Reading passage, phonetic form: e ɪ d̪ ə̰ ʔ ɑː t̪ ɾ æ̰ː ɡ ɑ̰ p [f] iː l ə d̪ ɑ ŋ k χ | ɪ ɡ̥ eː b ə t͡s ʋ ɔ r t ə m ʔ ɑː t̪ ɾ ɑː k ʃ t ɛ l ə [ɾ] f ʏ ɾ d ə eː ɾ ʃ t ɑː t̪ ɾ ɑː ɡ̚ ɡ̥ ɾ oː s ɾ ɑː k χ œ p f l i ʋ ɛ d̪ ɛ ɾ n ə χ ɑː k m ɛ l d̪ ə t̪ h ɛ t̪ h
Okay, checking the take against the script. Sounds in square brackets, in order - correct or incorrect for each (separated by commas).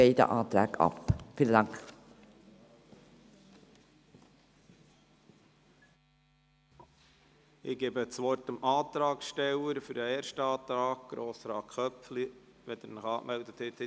correct, correct